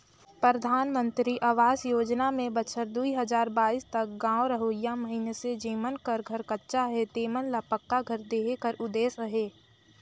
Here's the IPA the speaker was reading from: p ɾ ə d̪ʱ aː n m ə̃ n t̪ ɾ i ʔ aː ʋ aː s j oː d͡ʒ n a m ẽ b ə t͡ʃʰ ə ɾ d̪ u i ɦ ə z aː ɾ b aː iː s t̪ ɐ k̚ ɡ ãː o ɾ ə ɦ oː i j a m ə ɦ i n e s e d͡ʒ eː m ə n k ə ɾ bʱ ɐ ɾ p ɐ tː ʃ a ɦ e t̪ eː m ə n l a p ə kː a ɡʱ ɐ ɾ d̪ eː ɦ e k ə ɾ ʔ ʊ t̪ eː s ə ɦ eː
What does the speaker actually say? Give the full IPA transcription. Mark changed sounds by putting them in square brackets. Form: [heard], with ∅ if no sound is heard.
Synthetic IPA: p ɾ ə d̪ʱ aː n m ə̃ n t̪ ɾ i ʔ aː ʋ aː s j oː d͡ʒ n a m ẽ b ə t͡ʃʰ ə ɾ d̪ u i ɦ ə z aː ɾ b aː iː s t̪ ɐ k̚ ɡ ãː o ɾ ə ɦ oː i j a m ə ɦ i n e s e d͡ʒ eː m ə n k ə ɾ [ɡʱ] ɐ ɾ [k] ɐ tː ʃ a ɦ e t̪ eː m ə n l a p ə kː a ɡʱ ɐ ɾ d̪ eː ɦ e k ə ɾ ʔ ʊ [d̪] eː s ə ɦ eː